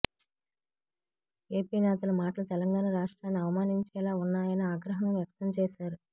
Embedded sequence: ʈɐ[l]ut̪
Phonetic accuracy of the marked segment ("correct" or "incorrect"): correct